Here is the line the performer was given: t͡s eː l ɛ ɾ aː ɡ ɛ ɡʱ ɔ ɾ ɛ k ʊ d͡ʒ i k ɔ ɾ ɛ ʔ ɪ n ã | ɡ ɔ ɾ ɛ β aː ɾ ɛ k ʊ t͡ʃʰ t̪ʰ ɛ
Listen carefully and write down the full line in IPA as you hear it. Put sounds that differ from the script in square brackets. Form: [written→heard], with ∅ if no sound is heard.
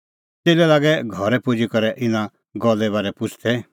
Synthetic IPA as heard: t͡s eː l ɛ [ɾ→l] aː ɡ ɛ ɡʱ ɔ ɾ ɛ [k→p] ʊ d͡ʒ i k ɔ ɾ ɛ ʔ ɪ n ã | ɡ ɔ [ɾ→l] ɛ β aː ɾ ɛ [k→p] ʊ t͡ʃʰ t̪ʰ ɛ